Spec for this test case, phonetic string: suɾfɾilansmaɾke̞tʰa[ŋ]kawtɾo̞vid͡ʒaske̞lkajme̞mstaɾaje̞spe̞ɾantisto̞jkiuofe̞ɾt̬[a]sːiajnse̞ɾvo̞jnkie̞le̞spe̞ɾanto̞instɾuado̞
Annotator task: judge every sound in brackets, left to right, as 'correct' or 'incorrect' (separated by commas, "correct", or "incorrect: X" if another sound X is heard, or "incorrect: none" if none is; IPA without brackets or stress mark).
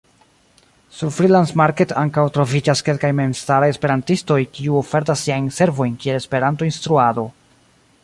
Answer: correct, correct